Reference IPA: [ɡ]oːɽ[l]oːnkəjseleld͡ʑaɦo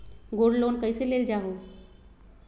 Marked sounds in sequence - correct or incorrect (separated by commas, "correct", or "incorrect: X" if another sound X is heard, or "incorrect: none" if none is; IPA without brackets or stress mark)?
correct, correct